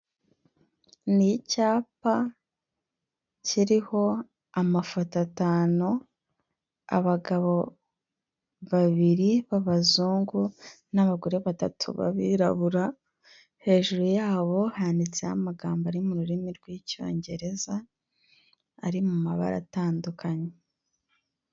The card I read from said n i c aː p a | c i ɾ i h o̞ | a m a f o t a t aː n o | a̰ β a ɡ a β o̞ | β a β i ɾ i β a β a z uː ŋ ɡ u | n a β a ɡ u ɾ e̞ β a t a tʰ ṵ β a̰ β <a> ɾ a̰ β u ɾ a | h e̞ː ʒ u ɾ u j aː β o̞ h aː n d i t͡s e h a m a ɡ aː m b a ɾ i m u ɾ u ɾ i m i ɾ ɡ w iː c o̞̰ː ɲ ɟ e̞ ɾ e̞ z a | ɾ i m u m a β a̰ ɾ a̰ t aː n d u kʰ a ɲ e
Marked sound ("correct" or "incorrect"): incorrect